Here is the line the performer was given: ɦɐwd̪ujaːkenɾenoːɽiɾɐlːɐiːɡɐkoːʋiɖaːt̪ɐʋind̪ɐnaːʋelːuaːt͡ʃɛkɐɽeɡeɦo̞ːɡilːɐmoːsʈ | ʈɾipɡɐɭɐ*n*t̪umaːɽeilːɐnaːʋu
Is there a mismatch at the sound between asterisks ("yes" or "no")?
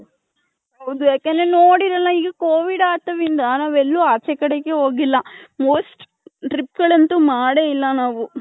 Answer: no